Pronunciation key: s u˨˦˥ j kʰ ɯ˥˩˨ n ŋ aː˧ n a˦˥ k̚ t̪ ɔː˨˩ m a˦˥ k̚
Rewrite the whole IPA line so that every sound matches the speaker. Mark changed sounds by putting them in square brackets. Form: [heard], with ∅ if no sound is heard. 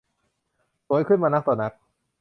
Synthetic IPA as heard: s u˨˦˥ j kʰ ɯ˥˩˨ n [m] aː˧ n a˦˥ k̚ t̪ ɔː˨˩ [n] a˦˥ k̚